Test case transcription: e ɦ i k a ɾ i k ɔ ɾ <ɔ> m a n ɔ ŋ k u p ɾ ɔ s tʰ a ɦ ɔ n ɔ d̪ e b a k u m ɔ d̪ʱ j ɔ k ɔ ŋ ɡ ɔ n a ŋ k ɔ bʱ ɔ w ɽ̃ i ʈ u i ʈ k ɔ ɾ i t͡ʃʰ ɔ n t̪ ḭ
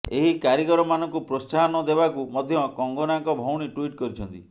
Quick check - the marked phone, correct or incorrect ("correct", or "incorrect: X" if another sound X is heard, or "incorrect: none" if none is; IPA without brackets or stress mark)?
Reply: correct